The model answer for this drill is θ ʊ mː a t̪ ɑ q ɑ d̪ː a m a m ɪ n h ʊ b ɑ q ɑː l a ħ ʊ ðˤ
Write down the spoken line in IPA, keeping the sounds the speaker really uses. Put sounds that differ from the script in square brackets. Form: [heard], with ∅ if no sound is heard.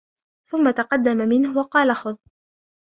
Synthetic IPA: θ ʊ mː a t̪ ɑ q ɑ d̪ː a m a m ɪ n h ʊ [w] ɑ q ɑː l a [x] ʊ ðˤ

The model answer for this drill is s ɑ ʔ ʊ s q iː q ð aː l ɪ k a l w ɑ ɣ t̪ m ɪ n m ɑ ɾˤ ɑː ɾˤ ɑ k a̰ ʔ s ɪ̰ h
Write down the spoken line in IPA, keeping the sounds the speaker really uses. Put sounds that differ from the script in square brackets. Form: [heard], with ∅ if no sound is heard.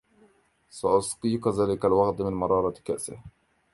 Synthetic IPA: s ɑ ʔ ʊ s q iː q ð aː l ɪ k a l w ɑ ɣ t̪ m ɪ n m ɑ ɾˤ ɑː ɾˤ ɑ k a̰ ʔ s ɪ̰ h

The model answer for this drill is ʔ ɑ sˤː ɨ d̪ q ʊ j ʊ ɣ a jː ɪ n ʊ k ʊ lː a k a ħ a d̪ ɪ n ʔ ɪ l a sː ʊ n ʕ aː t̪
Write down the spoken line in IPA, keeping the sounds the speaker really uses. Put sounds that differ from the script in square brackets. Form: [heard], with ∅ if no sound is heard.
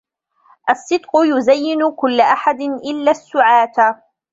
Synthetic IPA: ʔ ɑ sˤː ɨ d̪ q ʊ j ʊ [z] a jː ɪ n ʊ k ʊ lː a [ʔ] a ħ a d̪ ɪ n ʔ ɪ [lː] a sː ʊ [∅] ʕ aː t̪

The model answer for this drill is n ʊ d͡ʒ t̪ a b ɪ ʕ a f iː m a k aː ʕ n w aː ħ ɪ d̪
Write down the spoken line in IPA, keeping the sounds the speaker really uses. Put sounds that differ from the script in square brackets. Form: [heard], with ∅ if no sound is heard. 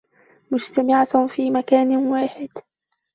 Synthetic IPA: [m] ʊ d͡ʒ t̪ a [m] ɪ ʕ a f iː m a k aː [∅] n w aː ħ ɪ d̪

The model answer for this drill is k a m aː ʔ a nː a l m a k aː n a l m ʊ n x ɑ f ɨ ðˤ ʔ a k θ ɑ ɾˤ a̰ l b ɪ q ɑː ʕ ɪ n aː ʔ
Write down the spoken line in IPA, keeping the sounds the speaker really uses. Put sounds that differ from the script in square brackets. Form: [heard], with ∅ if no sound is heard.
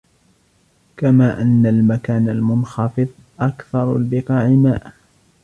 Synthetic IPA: k a m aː ʔ a nː a l m a k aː n a l m ʊ n x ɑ f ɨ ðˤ ʔ a k θ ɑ ɾˤ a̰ l b ɪ q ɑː ʕ ɪ [m] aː ʔ

